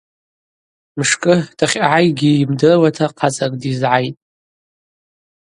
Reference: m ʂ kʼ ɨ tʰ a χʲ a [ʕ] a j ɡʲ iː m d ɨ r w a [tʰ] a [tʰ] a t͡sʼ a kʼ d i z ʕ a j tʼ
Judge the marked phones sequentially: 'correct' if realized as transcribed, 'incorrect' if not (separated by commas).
correct, correct, incorrect